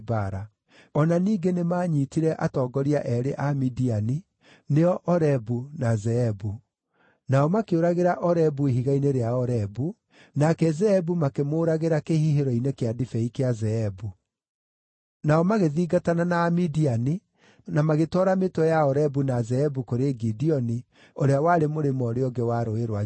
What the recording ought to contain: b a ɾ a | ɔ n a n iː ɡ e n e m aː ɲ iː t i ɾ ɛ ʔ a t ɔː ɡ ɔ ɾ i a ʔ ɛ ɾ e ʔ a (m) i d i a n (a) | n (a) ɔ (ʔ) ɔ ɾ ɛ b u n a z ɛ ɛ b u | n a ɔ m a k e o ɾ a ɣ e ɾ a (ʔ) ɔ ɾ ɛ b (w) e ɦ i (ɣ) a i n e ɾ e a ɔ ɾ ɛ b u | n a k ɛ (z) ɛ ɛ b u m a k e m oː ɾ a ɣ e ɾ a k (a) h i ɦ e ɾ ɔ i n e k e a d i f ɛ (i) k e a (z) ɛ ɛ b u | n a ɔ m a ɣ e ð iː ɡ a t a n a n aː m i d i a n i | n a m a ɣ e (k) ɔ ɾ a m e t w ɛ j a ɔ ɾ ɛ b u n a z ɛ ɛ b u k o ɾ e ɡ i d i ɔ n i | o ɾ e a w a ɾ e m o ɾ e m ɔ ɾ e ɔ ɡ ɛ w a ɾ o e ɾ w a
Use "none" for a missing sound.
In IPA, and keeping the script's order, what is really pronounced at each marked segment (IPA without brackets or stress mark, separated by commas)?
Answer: m, i, e, ʔ, ʔ, u, ɣ, z, e, i, z, t